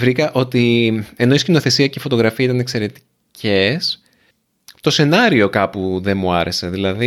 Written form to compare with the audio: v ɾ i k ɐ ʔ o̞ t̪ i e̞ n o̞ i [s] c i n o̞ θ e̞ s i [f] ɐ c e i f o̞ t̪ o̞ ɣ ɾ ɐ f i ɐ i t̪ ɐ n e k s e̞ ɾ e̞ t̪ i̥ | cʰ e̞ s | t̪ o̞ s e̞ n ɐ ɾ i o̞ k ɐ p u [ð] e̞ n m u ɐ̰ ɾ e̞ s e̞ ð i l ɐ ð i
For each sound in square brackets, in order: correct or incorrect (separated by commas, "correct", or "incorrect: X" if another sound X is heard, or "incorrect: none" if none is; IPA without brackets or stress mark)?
correct, incorrect: none, correct